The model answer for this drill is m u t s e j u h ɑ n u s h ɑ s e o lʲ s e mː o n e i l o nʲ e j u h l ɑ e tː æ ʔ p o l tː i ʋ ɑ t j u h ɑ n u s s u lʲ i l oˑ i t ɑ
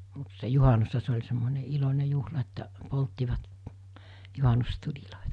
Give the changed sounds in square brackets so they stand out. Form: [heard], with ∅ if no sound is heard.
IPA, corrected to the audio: m u t s e j u h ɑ n u s h ɑ s e o lʲ s e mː o n e i l o nʲ e j u h l ɑ e tː æ ʔ p o l tː i ʋ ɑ t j u h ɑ n u s [t] u lʲ i l oˑ i t ɑ